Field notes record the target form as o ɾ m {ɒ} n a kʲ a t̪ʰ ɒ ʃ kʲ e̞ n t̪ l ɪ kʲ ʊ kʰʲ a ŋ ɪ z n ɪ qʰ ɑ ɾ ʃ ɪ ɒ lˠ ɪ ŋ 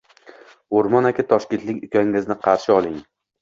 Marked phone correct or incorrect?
correct